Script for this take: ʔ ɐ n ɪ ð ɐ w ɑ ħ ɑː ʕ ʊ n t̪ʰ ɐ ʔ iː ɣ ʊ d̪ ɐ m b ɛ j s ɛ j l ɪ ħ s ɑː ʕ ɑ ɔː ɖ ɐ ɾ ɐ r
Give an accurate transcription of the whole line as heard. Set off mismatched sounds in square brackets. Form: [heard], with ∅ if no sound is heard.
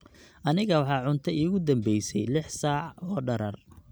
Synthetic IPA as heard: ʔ ɐ n ɪ [ɣ] ɐ w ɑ ħ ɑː ʕ ʊ n t̪ʰ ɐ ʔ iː ɣ ʊ d̪ ɐ m b ɛ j s ɛ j l ɪ ħ s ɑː ʕ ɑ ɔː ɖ ɐ ɾ ɐ r